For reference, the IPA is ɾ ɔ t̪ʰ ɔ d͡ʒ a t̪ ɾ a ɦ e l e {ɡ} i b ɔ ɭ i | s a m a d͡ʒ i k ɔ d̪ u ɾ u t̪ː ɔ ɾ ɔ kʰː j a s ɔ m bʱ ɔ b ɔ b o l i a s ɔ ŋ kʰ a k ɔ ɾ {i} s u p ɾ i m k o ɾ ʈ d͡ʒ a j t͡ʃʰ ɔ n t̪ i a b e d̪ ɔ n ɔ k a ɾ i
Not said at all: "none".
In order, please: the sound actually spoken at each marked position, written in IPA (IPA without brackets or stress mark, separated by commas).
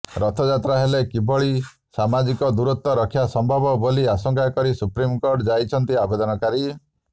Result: k, i